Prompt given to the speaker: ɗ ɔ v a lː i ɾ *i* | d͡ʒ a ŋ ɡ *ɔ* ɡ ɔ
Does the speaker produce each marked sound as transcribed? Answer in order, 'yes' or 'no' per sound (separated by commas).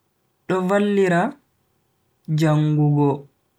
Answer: no, no